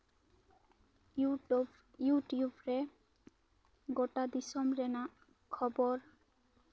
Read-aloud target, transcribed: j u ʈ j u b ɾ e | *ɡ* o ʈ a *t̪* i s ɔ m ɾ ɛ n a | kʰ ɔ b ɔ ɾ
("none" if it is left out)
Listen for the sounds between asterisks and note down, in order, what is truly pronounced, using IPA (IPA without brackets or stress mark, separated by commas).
ɡ, d̪